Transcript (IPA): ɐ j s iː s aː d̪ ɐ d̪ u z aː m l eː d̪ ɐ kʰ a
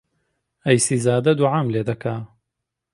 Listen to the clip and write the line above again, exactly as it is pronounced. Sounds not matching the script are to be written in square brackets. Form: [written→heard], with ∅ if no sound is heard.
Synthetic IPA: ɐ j s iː [s→z] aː d̪ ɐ d̪ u [z→ʕ] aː m l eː d̪ ɐ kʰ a